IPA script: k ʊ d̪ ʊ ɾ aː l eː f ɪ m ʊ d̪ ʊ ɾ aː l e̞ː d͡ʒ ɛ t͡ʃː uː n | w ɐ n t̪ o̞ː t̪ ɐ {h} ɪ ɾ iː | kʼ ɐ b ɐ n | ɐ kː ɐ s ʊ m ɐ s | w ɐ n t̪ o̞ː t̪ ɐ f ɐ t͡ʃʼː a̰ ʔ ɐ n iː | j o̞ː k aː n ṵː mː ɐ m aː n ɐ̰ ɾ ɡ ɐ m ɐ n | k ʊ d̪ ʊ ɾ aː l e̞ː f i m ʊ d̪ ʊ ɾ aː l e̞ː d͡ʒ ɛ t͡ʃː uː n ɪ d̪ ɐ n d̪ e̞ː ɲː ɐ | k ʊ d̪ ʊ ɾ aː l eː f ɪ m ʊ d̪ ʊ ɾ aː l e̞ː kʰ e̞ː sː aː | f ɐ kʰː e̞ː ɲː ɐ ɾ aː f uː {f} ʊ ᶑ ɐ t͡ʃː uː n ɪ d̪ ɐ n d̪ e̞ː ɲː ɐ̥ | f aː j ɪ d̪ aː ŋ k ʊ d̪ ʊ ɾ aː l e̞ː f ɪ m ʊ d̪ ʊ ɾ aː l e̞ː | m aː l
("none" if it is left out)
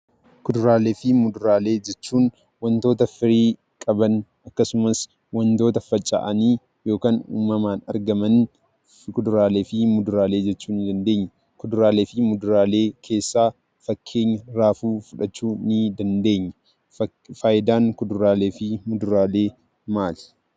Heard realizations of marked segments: f, f

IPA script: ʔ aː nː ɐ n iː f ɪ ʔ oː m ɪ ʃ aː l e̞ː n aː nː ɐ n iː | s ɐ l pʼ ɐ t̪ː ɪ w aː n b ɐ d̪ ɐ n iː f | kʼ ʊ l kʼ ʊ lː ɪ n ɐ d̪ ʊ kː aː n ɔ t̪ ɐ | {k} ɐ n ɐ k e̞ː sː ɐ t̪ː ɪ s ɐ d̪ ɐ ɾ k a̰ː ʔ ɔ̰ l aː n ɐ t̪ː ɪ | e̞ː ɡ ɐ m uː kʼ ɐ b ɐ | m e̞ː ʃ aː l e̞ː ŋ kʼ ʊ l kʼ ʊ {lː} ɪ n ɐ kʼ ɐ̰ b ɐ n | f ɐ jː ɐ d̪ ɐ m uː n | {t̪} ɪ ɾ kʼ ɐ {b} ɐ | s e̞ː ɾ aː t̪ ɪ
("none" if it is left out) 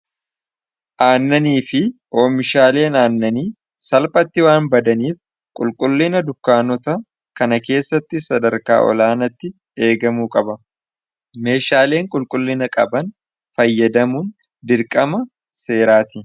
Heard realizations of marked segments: k, lː, d̪, m

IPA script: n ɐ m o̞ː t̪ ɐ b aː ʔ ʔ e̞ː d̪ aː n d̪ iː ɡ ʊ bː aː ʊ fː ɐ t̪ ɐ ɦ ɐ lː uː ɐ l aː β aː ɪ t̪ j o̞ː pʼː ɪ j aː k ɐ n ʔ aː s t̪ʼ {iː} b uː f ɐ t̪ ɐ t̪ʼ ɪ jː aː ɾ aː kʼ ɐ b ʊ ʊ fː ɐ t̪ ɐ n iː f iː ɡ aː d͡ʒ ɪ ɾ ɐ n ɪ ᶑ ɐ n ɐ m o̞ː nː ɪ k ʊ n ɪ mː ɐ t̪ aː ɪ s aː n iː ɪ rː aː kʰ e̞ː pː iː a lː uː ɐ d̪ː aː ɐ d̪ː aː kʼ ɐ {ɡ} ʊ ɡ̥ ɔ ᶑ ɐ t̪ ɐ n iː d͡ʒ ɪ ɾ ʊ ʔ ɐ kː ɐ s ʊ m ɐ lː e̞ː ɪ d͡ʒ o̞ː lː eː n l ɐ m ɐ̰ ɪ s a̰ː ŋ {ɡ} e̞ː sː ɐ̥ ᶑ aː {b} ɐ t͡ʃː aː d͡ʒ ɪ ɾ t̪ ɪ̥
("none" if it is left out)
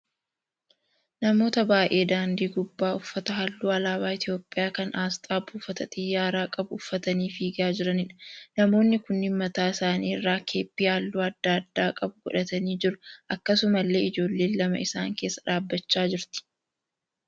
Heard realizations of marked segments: aː, b, k, bː

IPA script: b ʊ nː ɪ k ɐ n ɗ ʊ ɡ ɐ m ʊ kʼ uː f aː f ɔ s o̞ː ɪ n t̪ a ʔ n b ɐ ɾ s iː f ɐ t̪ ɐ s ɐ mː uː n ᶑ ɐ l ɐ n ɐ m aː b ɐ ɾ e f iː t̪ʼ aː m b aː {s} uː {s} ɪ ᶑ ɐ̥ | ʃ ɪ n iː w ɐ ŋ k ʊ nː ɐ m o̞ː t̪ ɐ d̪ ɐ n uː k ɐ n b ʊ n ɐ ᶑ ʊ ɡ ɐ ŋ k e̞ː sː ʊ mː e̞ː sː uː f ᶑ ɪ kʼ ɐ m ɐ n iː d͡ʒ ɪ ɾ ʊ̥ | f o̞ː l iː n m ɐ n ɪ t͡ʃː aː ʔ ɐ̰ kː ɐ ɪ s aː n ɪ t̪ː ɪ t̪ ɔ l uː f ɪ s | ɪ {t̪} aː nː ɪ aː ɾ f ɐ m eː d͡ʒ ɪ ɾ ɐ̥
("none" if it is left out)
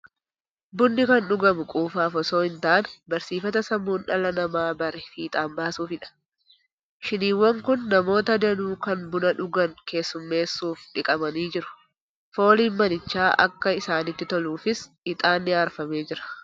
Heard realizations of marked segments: s, f, t̪ʼ

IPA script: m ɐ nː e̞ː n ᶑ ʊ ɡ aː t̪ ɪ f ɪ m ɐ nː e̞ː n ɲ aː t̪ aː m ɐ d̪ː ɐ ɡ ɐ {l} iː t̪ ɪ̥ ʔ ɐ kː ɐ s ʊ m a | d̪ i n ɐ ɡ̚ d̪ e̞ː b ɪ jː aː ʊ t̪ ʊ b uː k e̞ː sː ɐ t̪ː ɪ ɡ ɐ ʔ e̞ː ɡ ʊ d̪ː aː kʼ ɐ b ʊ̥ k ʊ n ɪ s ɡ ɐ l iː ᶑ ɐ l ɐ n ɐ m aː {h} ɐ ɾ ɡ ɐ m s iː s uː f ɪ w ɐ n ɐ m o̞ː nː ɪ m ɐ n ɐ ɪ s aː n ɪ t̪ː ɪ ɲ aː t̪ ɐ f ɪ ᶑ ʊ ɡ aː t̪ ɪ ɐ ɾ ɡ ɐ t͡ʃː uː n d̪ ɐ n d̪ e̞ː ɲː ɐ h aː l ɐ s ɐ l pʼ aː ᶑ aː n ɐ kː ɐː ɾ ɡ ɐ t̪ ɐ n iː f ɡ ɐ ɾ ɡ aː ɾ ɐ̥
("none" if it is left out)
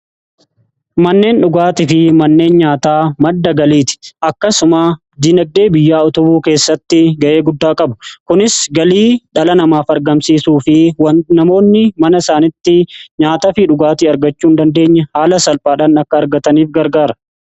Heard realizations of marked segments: l, f

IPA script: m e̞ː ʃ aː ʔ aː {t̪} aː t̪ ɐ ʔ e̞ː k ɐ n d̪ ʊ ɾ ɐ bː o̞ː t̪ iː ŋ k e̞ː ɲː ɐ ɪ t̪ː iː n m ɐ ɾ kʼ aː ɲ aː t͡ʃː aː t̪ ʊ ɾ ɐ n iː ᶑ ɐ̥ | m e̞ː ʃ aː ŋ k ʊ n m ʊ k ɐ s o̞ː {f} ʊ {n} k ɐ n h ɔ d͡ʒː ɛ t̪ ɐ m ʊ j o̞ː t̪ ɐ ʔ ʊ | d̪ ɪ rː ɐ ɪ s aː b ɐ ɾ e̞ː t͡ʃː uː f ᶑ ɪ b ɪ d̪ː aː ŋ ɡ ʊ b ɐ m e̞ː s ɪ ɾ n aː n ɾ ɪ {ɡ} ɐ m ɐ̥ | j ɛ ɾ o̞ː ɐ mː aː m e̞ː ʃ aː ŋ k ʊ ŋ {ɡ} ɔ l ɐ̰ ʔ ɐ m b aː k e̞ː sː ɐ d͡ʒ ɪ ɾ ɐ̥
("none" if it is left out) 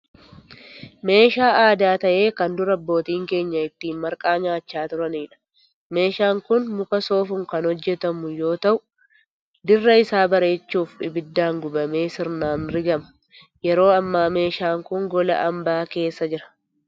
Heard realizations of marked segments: d̪, f, ŋ, ɡ, ɡ

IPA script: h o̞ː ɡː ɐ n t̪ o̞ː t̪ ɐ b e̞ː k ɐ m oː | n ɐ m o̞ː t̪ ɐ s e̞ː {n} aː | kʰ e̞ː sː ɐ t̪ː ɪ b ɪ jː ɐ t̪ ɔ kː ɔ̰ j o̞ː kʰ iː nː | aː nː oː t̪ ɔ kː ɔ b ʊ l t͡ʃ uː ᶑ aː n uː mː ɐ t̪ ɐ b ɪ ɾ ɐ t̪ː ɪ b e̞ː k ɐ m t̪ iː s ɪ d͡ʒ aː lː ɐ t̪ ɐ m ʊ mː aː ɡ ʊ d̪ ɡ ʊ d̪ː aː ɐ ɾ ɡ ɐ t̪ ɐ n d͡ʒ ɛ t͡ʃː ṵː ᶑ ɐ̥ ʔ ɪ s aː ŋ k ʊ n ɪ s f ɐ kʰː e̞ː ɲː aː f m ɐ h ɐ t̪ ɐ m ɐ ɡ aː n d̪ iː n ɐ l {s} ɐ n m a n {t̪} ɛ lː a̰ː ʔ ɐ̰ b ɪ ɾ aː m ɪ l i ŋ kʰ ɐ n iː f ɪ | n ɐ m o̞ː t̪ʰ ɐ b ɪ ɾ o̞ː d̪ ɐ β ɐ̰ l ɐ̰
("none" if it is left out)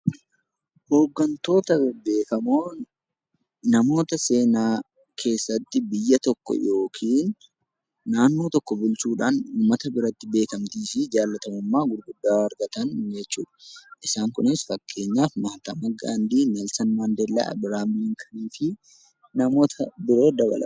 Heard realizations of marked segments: n, s, d̪

